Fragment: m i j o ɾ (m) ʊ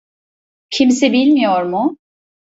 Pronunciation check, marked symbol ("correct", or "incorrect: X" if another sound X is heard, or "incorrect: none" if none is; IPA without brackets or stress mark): correct